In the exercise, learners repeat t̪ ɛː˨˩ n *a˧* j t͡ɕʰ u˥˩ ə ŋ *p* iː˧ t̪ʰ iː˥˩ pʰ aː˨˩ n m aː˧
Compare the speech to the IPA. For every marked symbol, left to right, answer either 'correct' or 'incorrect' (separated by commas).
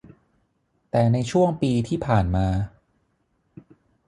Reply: correct, correct